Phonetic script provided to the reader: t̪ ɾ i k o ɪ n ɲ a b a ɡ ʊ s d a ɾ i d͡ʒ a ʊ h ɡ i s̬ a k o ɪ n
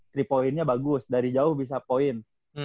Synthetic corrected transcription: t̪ ɾ i p o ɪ n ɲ a b a ɡ ʊ s d a ɾ i d͡ʒ a ʊ h b i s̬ a p o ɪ n